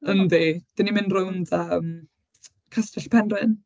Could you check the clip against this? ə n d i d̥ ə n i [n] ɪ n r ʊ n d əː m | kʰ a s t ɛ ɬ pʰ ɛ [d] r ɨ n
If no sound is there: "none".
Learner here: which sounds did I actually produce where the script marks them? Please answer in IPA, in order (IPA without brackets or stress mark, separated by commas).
m, n